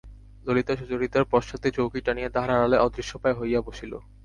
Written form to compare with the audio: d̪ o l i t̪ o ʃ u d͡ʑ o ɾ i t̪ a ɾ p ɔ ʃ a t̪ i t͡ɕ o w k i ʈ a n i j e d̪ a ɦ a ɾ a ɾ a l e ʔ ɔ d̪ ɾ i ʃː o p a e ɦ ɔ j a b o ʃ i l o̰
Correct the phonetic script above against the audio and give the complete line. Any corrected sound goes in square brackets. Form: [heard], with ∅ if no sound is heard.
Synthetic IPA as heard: d̪ o l i t̪ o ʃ u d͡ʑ o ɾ i t̪ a ɾ p ɔ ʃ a t̪ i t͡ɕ o w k i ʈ a n i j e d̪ a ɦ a ɾ a ɾ a l e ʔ ɔ d̪ ɾ i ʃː o p a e ɦ [o] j a b o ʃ i l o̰